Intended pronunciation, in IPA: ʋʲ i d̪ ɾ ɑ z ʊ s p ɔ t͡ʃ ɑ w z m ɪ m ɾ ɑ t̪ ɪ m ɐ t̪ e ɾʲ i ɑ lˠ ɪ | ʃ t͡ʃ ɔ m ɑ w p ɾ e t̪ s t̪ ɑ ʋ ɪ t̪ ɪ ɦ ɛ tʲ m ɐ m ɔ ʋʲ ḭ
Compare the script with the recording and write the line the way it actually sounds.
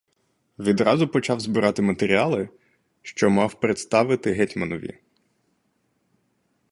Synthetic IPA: ʋʲ i d̪ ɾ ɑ z ʊ p ɔ t͡ʃ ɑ w z b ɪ ɾ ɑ t̪ ɪ m ɐ t̪ e ɾʲ i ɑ lˠ ɪ | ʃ t͡ʃ ɔ m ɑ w p ɾ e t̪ s t̪ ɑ ʋ ɪ t̪ ɪ ɦ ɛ tʲ m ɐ n ɔ ʋʲ ḭ